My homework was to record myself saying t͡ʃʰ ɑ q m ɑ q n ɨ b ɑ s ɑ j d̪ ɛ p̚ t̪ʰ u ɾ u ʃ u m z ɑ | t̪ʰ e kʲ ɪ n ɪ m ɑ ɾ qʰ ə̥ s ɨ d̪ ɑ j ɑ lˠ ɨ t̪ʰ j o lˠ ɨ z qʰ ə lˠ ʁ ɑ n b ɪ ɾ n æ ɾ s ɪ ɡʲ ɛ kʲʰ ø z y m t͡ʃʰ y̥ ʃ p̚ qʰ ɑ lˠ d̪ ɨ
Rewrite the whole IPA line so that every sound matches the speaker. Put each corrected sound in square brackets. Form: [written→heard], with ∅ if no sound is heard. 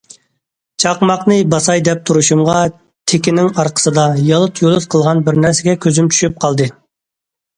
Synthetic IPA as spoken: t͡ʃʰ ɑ q m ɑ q n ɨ b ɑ s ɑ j d̪ ɛ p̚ t̪ʰ u ɾ u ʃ u m [z→ʁ] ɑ | t̪ʰ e kʲ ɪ n ɪ [m→ŋ] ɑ ɾ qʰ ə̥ s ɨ d̪ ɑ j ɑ lˠ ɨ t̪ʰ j o lˠ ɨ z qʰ ə lˠ ʁ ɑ n b ɪ ɾ n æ ɾ s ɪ ɡʲ ɛ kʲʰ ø z y m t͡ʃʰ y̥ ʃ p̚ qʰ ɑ lˠ d̪ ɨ